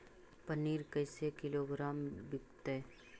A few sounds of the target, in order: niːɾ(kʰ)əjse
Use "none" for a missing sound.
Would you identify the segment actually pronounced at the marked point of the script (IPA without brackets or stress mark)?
k